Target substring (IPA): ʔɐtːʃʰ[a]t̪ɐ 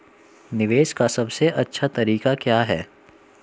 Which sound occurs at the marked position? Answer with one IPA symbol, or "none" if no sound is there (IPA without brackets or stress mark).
a